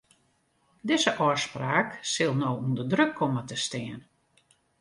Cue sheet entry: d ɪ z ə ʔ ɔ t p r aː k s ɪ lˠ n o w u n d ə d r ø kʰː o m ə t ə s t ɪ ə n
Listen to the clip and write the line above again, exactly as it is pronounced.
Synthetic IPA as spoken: d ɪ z ə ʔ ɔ s p r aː k s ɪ lˠ n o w u n d ə d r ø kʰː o m ə t ə s t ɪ ə n